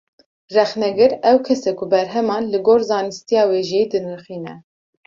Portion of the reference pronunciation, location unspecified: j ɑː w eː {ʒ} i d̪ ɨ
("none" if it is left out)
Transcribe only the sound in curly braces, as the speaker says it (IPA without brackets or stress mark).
ʒ